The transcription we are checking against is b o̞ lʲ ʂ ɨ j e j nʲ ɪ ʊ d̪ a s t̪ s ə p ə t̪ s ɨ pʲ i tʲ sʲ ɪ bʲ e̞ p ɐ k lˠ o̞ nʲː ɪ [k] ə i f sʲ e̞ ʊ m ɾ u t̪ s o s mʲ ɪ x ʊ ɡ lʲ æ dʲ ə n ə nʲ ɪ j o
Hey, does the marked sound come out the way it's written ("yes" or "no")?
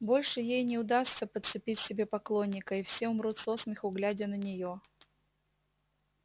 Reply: yes